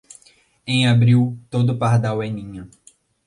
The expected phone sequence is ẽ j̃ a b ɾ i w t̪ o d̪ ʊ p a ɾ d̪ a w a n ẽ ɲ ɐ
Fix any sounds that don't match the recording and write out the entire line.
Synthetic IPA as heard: ẽ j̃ a b ɾ i w t̪ o d̪ ʊ p a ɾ d̪ a w ɛ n ĩ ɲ ɐ